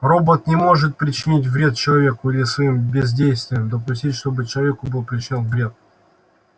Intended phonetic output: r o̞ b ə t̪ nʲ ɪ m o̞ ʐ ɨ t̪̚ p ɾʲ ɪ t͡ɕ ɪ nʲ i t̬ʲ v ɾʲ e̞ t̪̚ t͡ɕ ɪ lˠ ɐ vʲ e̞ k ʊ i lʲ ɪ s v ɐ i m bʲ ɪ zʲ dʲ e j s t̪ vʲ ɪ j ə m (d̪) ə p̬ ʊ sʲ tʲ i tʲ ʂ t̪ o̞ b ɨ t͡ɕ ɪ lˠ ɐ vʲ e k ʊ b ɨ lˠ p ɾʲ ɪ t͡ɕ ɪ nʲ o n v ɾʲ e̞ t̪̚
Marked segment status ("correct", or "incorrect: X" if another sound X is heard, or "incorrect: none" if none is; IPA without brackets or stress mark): correct